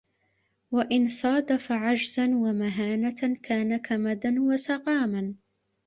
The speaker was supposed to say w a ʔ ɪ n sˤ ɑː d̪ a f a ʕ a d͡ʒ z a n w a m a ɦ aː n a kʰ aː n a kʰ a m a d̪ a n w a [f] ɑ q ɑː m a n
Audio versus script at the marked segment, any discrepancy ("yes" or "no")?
yes